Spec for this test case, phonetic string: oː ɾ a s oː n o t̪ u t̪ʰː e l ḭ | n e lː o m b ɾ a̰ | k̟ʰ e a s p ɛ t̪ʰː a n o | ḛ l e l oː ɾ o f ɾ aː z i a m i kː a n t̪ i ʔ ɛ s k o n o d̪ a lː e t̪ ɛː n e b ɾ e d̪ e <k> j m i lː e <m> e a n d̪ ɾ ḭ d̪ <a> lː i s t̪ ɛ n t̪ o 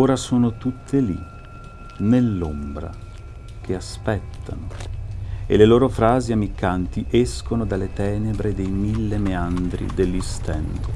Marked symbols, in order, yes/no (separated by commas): no, yes, no